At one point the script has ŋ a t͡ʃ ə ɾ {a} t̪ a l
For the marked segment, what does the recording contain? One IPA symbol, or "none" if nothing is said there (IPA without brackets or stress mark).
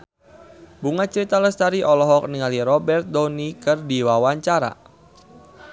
i